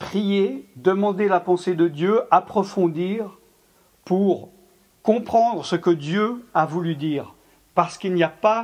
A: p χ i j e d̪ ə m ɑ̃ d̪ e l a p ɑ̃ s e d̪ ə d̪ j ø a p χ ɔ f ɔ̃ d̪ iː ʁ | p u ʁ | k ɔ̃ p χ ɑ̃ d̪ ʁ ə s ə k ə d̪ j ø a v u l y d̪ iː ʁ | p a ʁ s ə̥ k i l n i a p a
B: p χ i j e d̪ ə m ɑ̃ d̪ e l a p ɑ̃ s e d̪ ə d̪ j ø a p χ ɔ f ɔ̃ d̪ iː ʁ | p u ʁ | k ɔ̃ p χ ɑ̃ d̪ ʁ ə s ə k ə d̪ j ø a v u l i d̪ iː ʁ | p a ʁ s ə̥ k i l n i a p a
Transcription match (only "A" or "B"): A